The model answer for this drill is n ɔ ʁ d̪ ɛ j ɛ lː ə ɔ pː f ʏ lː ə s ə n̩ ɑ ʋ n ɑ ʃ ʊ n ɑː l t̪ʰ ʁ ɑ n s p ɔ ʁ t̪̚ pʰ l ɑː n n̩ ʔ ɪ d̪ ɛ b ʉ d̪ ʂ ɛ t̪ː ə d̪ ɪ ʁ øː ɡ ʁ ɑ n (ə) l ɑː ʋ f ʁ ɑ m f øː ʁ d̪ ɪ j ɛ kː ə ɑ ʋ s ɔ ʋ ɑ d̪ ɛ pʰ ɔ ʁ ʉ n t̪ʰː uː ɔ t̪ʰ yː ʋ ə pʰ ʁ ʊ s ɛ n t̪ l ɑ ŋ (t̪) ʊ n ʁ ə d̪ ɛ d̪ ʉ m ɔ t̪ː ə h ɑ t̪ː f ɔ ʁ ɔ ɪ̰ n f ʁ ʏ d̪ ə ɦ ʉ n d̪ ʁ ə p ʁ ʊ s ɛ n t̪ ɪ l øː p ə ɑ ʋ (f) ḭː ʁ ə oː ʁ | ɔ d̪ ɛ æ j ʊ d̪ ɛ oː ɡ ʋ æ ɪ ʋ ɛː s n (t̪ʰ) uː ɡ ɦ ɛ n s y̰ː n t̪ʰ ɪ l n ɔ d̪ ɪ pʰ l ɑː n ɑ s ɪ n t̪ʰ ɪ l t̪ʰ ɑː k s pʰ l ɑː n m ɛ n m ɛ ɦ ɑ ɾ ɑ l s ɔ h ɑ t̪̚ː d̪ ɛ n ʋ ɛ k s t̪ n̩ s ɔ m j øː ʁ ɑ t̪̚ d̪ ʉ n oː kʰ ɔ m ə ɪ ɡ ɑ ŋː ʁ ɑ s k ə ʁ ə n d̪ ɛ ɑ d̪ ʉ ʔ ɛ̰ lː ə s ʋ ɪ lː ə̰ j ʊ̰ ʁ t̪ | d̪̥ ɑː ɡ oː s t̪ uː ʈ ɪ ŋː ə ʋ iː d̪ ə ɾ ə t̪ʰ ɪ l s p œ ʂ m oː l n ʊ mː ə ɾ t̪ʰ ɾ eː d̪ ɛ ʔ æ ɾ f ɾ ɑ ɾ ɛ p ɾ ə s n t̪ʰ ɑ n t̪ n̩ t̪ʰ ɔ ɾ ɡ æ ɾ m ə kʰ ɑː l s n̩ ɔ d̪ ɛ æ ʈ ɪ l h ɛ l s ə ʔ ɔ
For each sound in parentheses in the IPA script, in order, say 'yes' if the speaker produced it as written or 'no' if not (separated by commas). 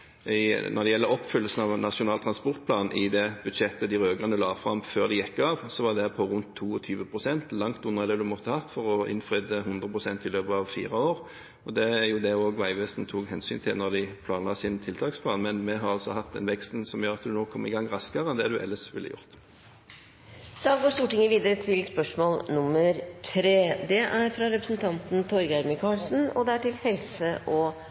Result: yes, yes, yes, yes